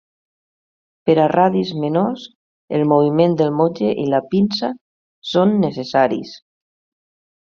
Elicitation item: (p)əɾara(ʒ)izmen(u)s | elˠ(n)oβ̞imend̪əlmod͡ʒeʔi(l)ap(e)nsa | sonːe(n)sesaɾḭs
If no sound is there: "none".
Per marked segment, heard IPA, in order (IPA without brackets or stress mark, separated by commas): p, ð, o, m, l, i, none